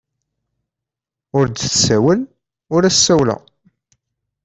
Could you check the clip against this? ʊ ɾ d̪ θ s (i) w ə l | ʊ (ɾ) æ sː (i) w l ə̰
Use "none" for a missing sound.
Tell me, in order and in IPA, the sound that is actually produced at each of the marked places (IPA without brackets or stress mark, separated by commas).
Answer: æ, ɾ, æ